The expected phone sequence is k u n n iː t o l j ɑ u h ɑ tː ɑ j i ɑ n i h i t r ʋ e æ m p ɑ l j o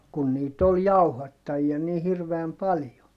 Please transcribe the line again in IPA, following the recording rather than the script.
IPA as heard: k u n n iː t o l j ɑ u h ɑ tː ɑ j i ɑ n i h i r ʋ e æ m p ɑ l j o

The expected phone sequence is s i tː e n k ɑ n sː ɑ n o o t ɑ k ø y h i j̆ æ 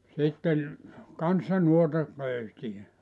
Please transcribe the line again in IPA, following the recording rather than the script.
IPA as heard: s i tː e n k ɑ n sː ɑ n u o t ɑ k ø y s i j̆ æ

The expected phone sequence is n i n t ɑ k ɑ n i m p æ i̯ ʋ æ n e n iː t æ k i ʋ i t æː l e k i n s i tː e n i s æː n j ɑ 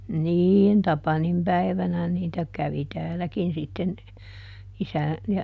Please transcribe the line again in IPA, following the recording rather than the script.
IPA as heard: n iː n t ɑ p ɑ n i m p æ i̯ ʋ æ n æ n iː t æ k æ ʋ i t æː l æ k i n s i tː e n i s æ n j ɑ

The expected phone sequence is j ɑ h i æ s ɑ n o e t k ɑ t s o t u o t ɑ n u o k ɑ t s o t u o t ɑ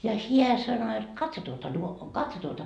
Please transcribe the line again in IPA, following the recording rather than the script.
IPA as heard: j ɑ h i æ s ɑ n o e t k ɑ t s o t u o t ɑ n u o k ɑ t s o t u o t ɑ

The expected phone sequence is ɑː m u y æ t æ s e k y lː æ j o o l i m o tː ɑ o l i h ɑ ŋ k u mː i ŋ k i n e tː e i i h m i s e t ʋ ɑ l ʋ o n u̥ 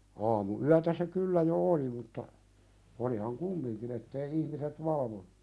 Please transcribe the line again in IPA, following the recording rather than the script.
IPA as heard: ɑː m u y æ t æ s e k y lː æ j o o l i m u tː ɑ o l i h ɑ ŋ k u mː i ŋ k i n e tː e i i h m i s e t ʋ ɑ l ʋ o n u̥

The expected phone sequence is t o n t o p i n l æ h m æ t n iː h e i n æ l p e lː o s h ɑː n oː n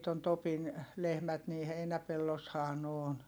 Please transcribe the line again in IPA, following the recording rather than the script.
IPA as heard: t o n t o p i n l e h m æ t n iː h e i n æ p e lː o s h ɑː n oː n

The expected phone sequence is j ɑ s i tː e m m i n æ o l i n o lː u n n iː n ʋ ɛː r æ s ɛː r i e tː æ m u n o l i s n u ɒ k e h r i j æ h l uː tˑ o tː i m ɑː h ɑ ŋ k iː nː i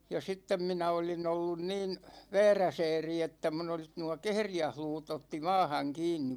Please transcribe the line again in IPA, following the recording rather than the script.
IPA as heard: j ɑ s i tː e m m i n æ o l i n o lː u n n iː n ʋ ɛː r æ s ɛː r i e tː æ m u n o l i s n u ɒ k e h r i j æ h l uː tˑ o tː i m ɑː h ɑ ŋ k iː nː i

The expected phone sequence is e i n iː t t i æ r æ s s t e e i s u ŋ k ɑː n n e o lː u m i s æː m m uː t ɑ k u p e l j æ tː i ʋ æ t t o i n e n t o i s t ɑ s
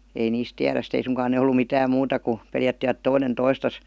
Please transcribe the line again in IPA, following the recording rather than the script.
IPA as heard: e i n iː s t i æ r æ s s t e e i s u ŋ k ɑː n n e o lː u m i t æː m m uː t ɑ k u p e l j æ tː i ʋ æ t t o i n e n t o i s t ɑ s

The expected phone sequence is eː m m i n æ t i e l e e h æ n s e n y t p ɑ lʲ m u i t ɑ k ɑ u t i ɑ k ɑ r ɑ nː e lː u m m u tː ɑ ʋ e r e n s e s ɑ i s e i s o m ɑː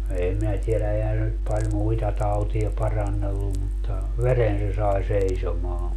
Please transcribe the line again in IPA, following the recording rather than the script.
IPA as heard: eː m m i n æ t i e l æ e h æ n s e n y t p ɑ lʲ m u i t ɑ t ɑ u t i ɑ p ɑ r ɑ nː e lː u m m u tː ɑ ʋ e r e n s e s ɑ i s e i s o m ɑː

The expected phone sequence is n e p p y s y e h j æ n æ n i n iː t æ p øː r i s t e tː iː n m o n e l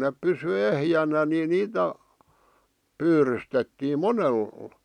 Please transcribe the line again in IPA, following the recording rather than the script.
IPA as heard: n e p p y s y e h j æ n æ n i n iː t æ p yː r y s t e tː iː m m o n e l

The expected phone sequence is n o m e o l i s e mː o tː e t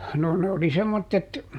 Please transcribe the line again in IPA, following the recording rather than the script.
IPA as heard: n o n e o l i s e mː o tː e t

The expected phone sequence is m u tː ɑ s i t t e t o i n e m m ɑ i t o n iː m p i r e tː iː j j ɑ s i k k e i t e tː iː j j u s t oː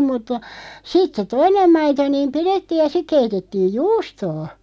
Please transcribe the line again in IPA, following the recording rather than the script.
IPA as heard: m u tː ɑ s i t s e t o i n e m m ɑ i t o n iː m p i r e tː iː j j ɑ s i k k e i t e tː iː j j uː s t oː

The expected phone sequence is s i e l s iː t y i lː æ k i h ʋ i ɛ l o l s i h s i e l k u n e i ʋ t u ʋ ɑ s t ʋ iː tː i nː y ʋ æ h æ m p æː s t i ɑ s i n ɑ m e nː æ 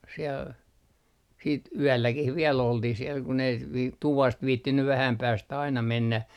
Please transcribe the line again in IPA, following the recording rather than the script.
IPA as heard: s i e l s iː t y æ lː æ k i h ʋ i ɛ l o l t i h s i e l k u n e i ʋ t u ʋ ɑ s t ʋ iː tː i nː y ʋ æ h æ m p æː s t æ ɑ i n ɑ m e nː æ

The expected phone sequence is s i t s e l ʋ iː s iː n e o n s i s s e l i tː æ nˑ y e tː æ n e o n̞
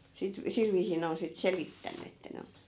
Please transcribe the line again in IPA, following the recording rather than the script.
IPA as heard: s i t s i l ʋ iː s iː n e o n s i t s e l i tː æ nˑ y e tː æ n e o n̞

